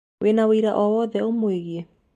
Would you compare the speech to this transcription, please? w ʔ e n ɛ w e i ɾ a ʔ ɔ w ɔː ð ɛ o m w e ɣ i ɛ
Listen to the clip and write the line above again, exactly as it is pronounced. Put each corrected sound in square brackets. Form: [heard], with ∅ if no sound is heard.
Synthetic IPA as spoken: w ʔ e n [a] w e i ɾ a ʔ ɔ w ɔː ð ɛ o m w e ɣ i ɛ